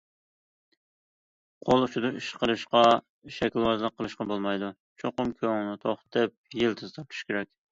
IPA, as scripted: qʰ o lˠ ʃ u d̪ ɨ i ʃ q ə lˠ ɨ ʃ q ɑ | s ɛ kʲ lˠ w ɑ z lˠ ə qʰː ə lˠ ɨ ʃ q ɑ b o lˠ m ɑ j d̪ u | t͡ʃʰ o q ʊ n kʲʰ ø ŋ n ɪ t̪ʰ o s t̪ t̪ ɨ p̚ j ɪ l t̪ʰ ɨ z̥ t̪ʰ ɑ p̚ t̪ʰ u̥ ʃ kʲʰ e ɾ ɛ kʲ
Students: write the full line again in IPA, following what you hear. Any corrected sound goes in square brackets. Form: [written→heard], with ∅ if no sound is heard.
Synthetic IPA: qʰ o lˠ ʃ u d̪ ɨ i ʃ q ə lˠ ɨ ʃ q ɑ | [s→ʃ] ɛ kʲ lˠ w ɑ z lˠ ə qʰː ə lˠ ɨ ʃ q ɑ b o lˠ m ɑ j d̪ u | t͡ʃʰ o q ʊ [n→m] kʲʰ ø ŋ n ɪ t̪ʰ o [s→χ] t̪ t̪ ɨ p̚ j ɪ l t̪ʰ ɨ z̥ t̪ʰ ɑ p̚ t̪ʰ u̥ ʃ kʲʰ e ɾ ɛ kʲ